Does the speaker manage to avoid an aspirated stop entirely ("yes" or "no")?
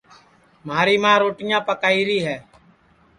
yes